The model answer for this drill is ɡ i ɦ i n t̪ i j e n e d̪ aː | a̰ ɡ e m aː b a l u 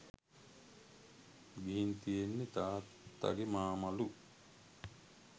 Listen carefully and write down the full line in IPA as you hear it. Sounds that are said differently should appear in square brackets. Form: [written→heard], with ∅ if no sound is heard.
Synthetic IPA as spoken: ɡ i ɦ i n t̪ i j e [n→nː] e [d̪→t̪] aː | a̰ ɡ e m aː [b→m] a l u